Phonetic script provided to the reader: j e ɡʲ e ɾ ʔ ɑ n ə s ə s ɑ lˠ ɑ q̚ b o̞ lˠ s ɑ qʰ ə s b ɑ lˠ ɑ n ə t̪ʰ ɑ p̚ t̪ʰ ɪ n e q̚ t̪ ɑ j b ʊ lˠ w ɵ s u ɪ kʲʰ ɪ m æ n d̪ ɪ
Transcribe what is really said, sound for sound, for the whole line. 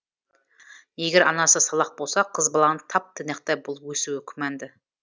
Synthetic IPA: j e ɡʲ e ɾ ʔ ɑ n ɑ s ə s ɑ lˠ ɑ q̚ b o̞ lˠ s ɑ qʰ ə z b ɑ lˠ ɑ n ə t̪ʰ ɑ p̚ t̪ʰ ɪ n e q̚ t̪ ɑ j b ʊ lˠ w ɵ s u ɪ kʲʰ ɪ m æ n d̪ ɪ

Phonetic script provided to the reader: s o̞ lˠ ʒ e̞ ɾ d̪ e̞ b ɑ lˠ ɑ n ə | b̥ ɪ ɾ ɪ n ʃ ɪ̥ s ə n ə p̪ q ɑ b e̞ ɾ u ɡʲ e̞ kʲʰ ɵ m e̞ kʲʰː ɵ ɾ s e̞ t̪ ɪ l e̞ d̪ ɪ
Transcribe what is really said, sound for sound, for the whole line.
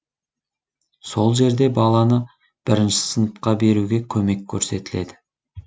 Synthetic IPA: s o̞ lˠ ʒ e̞ ɾ d̪ e̞ b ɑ lˠ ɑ n ə | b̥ ɪ ɾ ɪ n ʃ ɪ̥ s ə n ə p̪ q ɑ b e̞ ɾ u ɡʲ e̞ kʲʰ ɵ m e̞ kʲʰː ɵ ɾ s e̞ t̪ ɪ l e̞ d̪ ɪ

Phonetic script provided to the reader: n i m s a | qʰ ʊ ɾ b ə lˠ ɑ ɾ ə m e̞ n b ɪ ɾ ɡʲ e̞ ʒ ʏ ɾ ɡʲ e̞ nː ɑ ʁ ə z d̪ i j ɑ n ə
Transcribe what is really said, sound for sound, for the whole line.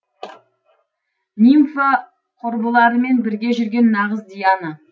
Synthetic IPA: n i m f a | qʰ ʊ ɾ b ə lˠ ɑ ɾ ə m e̞ n b ɪ ɾ ɡʲ e̞ ʒ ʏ ɾ ɡʲ e̞ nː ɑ ʁ ə z d̪ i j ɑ n ə

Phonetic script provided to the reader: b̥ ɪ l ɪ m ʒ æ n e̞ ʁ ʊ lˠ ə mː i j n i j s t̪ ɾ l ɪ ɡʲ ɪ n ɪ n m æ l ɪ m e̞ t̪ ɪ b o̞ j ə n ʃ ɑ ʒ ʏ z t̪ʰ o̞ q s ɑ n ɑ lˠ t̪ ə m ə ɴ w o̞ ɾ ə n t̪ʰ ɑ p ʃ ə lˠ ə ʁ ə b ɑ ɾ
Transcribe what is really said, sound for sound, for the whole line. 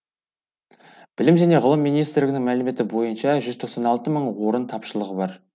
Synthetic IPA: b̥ ɪ l ɪ m ʒ æ n e̞ ʁ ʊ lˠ ə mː i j n i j s t̪ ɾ l ɪ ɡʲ ɪ n ɪ ŋ m æ l ɪ m e̞ t̪ ɪ b o̞ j ə n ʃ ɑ ʒ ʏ z t̪ʰ o̞ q s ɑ n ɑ lˠ t̪ ə m ə ɴ w o̞ ɾ ə n t̪ʰ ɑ p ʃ ə lˠ ə ʁ ə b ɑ ɾ

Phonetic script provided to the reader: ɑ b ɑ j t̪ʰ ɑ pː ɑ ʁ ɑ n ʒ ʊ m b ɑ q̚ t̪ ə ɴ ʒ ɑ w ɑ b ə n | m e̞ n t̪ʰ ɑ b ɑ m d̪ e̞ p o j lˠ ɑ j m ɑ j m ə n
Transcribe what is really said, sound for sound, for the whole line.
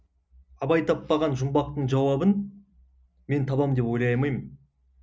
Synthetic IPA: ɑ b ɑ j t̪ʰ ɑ pː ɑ ʁ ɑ n ʒ ʊ m b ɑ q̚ t̪ ə ɴ ʒ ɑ w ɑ b ə n | m e̞ n t̪ʰ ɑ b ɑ m d̪ e̞ p o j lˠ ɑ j m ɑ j m ə n

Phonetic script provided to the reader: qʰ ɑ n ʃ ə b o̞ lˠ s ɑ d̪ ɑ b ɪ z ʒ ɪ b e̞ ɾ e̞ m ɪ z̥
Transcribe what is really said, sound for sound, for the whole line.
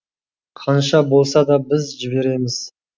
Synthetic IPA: qʰ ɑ n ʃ ɑ b o̞ lˠ s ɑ d̪ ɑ b ɪ z ʒ ɪ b e̞ ɾ e̞ m ɪ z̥

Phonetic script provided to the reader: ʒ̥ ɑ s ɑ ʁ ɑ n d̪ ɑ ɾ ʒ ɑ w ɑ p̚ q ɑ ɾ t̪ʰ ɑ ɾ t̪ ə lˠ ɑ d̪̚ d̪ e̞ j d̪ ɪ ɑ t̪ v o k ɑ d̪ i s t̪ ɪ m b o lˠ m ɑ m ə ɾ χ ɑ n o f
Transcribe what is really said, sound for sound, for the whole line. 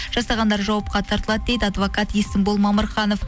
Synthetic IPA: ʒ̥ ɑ s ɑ ʁ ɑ n d̪ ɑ ɾ ʒ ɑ w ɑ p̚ q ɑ t̪ʰ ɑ ɾ t̪ ə lˠ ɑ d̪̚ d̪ e̞ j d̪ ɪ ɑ d̪ v o k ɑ t̪ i s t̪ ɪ m b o lˠ m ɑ m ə ɾ χ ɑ n o f

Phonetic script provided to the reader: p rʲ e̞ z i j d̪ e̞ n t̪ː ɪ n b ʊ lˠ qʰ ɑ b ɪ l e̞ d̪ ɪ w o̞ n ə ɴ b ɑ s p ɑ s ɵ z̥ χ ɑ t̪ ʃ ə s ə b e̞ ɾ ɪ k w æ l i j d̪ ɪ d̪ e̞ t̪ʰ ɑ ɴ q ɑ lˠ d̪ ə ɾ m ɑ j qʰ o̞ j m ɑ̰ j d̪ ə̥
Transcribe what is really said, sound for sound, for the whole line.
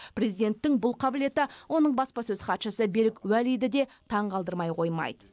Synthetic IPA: p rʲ e̞ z i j d̪ e̞ n t̪ː ɪ ŋ b ʊ lˠ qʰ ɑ b ɪ l e̞ t̪ ɪ w o̞ n ə ɴ b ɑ s p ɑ s ɵ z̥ χ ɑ t̪ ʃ ə s ə b e̞ ɾ ɪ k w æ l i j d̪ ɪ d̪ e̞ t̪ʰ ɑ ɴ q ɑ lˠ d̪ ə ɾ m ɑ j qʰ o̞ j m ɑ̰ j d̪ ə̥

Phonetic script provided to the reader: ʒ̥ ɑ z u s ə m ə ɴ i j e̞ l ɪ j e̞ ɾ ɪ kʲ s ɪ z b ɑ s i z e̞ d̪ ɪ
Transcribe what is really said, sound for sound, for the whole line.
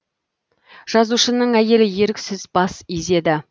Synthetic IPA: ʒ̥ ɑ z u ʃ ə n ə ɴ æ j e̞ l ɪ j e̞ ɾ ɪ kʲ s ɪ z b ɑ s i z e̞ d̪ ɪ

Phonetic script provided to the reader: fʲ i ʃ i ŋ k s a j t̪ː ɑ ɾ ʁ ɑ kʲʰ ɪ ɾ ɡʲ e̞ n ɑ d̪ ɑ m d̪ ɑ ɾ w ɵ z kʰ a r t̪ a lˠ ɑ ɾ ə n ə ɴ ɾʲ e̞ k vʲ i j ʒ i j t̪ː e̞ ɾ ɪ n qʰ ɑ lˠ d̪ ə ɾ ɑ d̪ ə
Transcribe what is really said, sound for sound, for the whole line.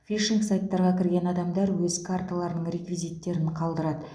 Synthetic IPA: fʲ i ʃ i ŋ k s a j t̪ː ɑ ɾ ʁ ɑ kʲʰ ɪ ɾ ɡʲ e̞ n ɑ d̪ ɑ m d̪ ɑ ɾ w ɵ z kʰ a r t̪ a lˠ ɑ ɾ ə n ə ɴ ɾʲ e̞ k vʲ i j z i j t̪ː e̞ ɾ ɪ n qʰ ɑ lˠ d̪ ə ɾ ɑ d̪ ə

